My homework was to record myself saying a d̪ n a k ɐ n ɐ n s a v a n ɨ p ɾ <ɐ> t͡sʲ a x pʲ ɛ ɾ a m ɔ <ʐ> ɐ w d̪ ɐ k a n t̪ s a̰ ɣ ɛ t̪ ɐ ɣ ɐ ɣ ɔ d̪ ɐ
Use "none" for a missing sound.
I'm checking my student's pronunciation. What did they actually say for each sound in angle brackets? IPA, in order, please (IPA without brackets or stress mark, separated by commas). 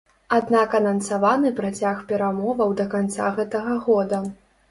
a, v